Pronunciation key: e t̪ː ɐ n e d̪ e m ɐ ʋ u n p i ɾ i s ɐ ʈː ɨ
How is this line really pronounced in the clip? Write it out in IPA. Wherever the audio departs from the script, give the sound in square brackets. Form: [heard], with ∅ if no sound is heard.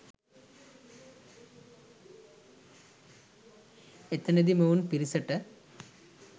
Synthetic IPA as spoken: e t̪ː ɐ n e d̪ [i] m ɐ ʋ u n p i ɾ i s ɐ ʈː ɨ